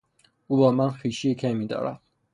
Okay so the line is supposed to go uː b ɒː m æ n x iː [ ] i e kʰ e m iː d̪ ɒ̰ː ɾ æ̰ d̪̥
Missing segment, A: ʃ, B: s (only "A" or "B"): A